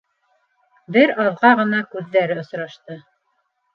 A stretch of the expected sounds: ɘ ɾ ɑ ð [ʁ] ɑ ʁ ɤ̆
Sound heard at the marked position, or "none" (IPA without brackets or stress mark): ʁ